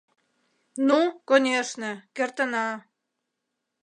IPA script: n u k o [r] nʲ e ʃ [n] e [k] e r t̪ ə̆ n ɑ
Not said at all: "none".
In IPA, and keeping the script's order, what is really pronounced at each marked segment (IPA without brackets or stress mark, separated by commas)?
none, n, k